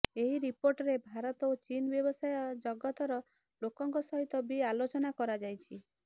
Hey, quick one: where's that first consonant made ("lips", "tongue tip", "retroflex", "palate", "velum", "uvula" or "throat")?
throat